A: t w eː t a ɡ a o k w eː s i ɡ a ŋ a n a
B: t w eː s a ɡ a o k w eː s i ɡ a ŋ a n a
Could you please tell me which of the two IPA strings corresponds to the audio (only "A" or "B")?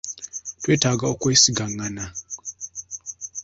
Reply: A